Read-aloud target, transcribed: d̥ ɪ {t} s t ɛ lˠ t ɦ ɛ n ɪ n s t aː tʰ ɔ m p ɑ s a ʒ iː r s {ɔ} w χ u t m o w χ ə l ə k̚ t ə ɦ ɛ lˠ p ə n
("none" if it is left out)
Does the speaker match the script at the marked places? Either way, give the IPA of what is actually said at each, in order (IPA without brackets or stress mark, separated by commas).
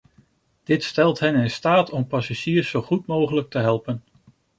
t, o